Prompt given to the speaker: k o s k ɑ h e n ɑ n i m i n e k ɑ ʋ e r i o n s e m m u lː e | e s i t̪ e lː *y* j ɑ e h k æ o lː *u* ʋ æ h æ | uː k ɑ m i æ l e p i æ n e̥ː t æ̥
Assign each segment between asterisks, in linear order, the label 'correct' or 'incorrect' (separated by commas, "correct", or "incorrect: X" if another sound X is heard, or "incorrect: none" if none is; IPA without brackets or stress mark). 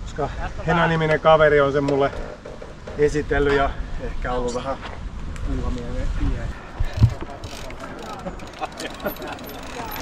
correct, correct